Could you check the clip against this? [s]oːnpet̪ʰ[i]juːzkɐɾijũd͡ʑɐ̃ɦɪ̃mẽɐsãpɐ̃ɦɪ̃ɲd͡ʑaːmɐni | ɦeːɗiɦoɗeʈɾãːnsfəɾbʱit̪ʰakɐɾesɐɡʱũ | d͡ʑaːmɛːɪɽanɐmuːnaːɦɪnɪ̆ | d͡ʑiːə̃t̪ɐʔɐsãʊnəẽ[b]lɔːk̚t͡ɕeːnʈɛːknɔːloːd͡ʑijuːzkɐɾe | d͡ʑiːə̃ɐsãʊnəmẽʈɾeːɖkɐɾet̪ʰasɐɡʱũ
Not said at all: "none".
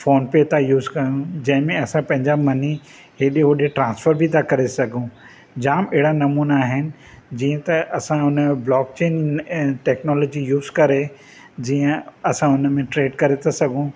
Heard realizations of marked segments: f, a, b

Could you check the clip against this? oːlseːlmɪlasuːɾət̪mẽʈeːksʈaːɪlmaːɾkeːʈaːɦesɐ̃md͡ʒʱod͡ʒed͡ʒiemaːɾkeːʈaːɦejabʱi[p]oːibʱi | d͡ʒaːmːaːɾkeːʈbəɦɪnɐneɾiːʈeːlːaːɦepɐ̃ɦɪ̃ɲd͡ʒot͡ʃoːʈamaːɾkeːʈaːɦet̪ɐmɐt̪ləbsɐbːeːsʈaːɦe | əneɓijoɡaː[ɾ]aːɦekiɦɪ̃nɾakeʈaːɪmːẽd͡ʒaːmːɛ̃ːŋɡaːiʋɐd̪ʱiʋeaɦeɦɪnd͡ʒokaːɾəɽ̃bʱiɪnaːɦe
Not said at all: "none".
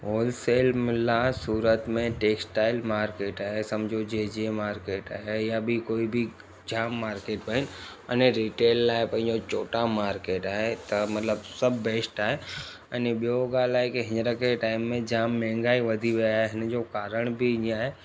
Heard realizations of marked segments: k, l

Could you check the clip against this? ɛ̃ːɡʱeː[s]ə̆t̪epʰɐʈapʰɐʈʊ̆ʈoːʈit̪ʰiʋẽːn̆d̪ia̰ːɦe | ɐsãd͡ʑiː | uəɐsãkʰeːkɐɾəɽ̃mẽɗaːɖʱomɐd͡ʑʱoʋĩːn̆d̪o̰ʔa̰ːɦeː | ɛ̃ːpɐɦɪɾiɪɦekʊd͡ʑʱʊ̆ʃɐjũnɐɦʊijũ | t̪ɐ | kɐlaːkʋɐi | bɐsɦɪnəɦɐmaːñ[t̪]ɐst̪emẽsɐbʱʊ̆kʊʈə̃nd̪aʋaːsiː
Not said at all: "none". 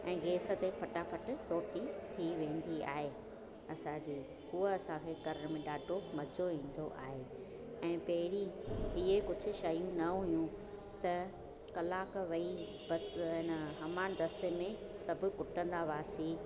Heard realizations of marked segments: s, d̪

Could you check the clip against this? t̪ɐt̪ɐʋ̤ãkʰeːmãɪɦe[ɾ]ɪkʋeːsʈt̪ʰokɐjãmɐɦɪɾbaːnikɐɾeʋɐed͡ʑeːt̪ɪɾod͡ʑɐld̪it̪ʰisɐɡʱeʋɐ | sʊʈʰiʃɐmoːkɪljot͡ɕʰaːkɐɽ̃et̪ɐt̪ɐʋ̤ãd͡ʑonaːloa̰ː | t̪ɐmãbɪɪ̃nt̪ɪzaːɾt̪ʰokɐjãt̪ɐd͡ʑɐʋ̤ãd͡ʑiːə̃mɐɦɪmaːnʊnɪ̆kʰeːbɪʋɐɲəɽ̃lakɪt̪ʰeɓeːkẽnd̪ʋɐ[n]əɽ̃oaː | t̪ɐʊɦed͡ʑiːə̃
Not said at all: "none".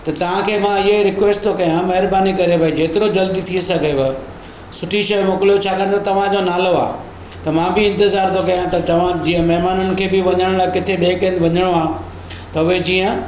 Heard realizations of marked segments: ɾ, ɲ

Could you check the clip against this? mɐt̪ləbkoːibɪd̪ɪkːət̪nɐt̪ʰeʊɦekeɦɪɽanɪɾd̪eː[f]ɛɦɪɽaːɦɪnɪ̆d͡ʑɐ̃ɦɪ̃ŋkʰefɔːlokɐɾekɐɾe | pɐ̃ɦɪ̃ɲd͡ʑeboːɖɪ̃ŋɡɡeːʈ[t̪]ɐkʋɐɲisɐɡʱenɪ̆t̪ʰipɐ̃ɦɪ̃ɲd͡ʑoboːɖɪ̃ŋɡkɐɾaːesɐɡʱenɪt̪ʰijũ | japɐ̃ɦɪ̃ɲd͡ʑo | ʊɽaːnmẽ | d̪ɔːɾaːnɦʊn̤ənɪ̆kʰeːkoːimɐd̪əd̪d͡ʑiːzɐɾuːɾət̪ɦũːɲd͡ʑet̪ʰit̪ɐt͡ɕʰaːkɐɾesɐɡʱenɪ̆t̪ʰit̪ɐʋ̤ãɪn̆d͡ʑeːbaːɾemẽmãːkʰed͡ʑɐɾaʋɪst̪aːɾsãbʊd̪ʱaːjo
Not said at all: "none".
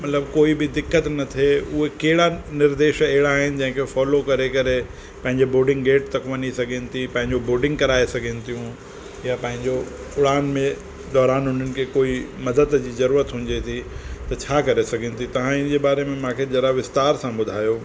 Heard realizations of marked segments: ʃ, t̪

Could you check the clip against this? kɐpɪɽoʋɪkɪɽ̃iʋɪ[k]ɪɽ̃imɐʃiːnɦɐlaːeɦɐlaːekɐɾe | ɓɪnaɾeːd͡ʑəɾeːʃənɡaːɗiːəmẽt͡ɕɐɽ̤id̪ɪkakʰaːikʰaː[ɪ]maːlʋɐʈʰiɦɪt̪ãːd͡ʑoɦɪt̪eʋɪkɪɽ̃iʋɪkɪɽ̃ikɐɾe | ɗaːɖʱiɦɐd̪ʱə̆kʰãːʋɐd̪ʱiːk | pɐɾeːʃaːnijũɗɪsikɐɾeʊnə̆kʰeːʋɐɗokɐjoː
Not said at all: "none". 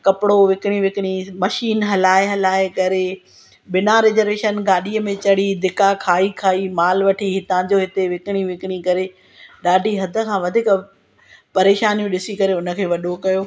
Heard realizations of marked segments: k, i

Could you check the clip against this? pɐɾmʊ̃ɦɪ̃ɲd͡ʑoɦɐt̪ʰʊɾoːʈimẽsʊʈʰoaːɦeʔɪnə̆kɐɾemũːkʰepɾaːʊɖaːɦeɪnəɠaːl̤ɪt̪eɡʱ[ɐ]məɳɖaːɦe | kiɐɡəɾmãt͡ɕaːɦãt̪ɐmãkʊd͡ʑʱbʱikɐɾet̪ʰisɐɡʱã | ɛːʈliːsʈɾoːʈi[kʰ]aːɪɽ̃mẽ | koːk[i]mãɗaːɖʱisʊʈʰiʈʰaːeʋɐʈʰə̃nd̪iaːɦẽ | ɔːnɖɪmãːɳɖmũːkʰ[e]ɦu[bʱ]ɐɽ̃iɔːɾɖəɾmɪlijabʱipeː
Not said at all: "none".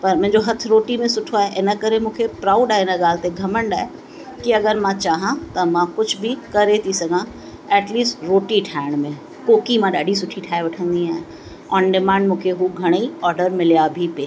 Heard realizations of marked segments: ɐ, ʈʰ, i, e, ɡʱ

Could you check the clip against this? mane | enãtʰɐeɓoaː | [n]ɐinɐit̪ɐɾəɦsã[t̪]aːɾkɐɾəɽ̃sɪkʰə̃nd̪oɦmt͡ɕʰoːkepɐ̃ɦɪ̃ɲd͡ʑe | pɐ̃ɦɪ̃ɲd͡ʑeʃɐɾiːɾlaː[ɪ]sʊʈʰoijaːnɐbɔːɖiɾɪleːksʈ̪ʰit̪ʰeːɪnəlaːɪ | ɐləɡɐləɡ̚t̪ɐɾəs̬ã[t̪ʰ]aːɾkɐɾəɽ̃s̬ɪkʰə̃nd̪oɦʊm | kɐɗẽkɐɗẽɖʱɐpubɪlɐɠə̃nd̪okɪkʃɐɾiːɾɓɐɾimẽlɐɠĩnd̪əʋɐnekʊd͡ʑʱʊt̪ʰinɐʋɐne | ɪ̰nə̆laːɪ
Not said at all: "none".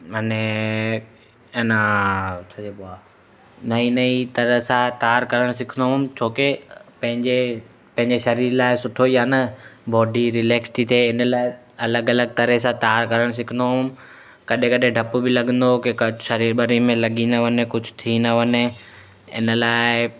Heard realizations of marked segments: n, t̪, ɪ, t̪

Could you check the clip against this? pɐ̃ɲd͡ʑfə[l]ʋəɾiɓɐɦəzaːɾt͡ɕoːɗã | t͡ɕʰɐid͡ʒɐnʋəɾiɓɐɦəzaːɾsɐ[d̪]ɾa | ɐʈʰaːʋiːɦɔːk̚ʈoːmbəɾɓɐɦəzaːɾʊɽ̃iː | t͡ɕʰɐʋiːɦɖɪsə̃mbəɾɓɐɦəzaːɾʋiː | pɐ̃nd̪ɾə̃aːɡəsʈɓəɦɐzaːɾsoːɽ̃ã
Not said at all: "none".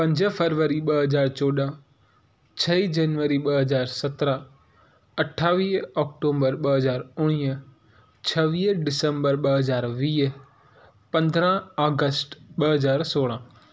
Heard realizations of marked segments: ɾ, t̪

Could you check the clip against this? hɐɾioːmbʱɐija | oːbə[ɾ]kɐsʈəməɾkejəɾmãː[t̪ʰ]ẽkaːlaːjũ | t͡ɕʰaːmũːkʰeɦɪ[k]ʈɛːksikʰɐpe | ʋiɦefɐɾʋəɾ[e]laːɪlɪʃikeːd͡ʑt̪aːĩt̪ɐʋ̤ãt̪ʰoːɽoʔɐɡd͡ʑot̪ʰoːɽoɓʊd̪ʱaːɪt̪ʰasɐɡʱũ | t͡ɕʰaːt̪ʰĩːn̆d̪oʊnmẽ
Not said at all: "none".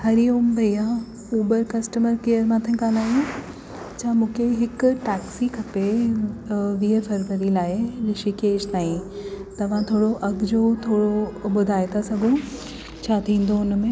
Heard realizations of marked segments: ɾ, t̪ʰ, k, i

